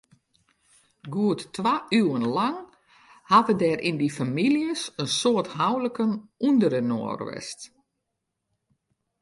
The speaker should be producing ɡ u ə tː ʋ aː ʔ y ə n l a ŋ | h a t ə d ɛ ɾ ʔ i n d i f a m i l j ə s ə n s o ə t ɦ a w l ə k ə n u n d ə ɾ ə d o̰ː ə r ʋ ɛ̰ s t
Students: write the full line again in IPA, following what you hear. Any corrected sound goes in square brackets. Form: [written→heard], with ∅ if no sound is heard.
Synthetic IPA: ɡ u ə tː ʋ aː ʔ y ə n l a ŋ | h a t ə d ɛ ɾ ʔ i n d i f a m i l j ə s ə n s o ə t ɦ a w l ə k ə n u n d ə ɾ ə [d→n] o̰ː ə r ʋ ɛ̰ s t